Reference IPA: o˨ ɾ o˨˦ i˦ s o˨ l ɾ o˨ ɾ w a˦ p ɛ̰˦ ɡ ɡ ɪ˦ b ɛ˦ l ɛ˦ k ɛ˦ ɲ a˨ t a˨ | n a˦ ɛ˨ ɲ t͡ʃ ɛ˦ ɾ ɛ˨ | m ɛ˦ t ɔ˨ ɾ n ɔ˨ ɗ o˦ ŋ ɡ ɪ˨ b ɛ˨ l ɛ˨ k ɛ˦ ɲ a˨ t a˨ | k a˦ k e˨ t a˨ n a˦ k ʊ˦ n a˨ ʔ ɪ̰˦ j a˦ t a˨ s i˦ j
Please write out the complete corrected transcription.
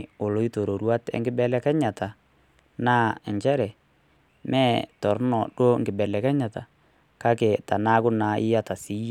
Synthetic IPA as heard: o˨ l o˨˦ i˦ t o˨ ɾ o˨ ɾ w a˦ t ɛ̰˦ ŋ ɡ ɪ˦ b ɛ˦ l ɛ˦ k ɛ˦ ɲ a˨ t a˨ | n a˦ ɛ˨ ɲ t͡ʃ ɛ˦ ɾ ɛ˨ | m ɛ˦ t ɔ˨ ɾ n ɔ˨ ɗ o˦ ŋ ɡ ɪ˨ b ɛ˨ l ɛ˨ k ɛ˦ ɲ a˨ t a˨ | k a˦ k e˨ t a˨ n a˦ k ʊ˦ n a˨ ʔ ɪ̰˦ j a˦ t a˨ s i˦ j